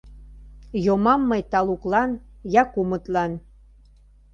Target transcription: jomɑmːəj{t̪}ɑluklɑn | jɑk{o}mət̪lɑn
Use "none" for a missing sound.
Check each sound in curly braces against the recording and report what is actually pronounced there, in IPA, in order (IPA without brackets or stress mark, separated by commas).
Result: t̪, u